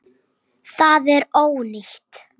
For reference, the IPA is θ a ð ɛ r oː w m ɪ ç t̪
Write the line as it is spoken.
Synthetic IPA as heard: θ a ð ɛ ɾ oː w n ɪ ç t̪